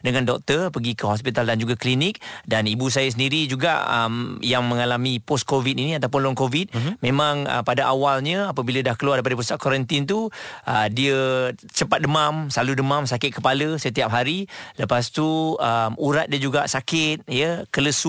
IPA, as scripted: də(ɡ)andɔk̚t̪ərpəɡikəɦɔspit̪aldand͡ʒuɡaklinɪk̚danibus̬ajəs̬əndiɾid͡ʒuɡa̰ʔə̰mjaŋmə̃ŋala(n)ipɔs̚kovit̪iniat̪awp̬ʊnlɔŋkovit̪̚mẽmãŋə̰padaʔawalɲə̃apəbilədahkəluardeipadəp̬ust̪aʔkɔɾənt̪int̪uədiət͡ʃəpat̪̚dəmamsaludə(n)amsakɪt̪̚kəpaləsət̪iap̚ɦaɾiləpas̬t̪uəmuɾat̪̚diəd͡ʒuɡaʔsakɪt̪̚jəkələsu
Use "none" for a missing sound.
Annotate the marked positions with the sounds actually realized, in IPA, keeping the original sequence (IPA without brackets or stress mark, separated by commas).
ŋ, m, m